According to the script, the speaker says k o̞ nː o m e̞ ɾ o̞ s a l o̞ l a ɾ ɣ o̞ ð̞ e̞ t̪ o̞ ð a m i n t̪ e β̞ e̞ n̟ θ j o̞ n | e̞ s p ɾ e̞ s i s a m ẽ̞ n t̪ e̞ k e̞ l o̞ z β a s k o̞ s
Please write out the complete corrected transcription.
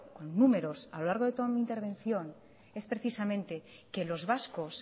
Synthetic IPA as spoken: k o̞ nː u m e̞ ɾ o̞ s a l o̞ l a ɾ ɣ o̞ ð̞ e̞ t̪ o̞ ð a m i n t̪ e β̞ e̞ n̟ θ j o̞ n | e̞ s p ɾ e̞ θ i s a m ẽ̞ n t̪ e̞ k e̞ l o̞ z β a s k o̞ s